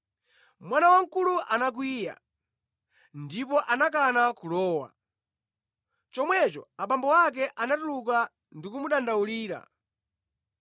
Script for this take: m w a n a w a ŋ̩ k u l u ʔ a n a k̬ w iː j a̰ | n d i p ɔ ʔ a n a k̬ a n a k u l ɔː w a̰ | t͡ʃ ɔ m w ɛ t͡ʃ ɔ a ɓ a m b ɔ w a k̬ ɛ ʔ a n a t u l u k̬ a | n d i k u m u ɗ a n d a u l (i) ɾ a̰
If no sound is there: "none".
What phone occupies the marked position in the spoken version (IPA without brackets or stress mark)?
iː